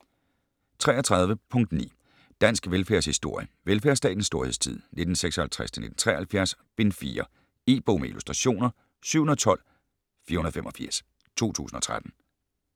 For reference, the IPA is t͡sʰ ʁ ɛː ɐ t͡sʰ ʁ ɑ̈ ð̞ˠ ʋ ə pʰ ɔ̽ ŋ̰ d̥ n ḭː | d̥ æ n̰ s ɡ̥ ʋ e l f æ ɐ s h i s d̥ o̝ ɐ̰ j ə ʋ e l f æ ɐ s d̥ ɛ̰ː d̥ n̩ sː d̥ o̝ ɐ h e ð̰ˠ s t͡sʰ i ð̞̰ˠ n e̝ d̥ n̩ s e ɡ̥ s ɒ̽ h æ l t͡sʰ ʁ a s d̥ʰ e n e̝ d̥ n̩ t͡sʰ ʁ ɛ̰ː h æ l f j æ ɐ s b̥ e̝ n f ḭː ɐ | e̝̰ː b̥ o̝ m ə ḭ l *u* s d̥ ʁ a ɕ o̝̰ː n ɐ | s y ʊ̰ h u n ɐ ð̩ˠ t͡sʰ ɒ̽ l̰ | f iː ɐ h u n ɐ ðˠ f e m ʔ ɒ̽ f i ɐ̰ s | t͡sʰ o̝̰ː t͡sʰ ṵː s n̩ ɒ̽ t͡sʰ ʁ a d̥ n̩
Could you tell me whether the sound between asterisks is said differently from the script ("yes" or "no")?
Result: no